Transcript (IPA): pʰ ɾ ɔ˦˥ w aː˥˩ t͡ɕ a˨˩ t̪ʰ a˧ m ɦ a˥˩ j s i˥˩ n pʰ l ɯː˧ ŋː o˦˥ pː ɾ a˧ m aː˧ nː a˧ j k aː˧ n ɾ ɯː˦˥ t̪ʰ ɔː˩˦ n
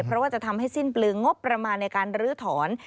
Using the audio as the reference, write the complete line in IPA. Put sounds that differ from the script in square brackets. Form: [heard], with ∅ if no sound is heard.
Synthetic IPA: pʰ ɾ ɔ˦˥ w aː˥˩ t͡ɕ a˨˩ t̪ʰ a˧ m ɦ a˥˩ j s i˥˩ n [p] l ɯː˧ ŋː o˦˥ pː ɾ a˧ m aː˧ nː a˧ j k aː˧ n ɾ ɯː˦˥ t̪ʰ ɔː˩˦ n